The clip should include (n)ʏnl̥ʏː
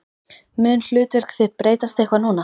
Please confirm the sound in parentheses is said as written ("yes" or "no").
no